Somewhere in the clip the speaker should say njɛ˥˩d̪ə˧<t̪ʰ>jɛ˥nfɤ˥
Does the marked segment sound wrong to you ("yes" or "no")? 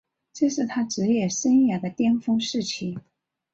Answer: yes